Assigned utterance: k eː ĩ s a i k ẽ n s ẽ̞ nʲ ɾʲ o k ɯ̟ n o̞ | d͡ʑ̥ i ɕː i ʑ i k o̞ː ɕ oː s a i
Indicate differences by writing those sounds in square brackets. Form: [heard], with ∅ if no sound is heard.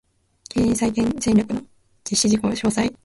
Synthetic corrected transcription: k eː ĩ s a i k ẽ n s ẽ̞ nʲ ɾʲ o k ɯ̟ n o̞ | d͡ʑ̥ i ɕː i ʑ i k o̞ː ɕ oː s a i